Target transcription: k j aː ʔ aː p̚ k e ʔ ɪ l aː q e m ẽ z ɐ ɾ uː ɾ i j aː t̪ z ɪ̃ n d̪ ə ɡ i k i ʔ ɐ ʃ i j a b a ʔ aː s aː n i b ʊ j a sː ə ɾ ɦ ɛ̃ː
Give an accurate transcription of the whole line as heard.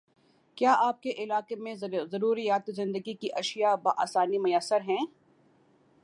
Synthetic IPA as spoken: k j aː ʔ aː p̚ k e ʔ ɪ l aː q e m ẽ z ɐ ɾ uː ɾ i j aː t̪ z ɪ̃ n d̪ ə ɡ i k i ʔ ɐ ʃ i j a b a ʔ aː s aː n i m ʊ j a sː ə ɾ ɦ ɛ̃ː